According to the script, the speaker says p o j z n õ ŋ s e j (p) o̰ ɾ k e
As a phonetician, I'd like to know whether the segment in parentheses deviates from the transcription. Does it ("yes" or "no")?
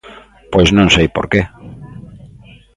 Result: no